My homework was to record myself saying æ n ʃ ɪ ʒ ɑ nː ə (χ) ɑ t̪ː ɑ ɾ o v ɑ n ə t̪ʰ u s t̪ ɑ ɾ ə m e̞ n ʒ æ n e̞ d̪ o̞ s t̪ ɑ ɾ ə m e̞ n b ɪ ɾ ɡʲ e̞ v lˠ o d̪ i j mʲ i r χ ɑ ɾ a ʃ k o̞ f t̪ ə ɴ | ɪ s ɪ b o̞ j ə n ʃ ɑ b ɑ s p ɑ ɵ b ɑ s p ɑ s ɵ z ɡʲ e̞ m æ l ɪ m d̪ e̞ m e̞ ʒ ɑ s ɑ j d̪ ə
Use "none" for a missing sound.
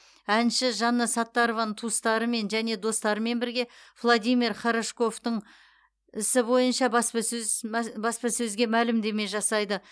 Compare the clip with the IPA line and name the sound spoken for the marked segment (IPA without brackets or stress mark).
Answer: s